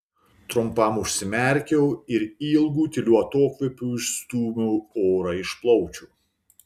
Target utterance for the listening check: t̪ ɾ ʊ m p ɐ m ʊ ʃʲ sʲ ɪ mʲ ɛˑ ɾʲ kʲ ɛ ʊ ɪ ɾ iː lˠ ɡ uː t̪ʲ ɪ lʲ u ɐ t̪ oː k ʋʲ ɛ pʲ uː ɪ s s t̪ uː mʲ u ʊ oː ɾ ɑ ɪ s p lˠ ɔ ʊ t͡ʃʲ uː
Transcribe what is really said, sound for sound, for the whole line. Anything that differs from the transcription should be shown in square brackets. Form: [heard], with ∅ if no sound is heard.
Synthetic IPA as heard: t̪ ɾ ʊ m p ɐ m ʊ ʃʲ sʲ ɪ mʲ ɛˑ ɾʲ kʲ ɛ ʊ ɪ ɾ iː lˠ ɡ uː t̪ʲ ɪ lʲ u ɐ t̪ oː k ʋʲ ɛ pʲ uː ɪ [ʃ] s t̪ uː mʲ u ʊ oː ɾ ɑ ɪ [ʃ] p lˠ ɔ ʊ t͡ʃʲ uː